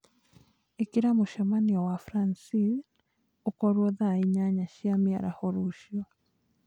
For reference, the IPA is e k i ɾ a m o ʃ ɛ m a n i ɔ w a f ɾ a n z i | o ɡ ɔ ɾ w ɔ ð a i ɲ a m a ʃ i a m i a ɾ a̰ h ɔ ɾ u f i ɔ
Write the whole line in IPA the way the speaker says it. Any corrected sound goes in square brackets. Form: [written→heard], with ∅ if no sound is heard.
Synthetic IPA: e k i ɾ a m o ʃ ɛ m a n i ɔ w a f ɾ a n [z→s] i | o [ɡ→k] ɔ ɾ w ɔ ð a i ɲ a [m→ɲ] a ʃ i a m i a ɾ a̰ h ɔ ɾ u [f→ʃ] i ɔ